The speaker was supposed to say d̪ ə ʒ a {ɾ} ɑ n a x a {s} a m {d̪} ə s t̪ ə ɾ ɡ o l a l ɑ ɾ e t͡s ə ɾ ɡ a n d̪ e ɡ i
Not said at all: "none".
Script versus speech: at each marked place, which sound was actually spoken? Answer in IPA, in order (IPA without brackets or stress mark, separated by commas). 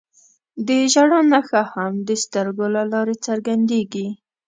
ɽ, h, d̪